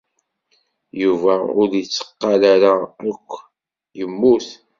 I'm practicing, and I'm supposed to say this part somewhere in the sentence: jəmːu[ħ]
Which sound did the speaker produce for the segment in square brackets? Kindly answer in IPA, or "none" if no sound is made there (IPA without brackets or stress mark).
θ